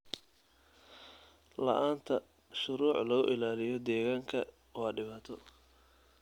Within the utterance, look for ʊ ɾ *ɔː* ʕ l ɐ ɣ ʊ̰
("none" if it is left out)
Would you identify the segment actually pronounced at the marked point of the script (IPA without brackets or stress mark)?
uː